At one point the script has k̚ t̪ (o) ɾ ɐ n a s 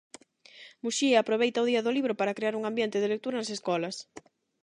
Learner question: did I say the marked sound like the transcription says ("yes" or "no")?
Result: no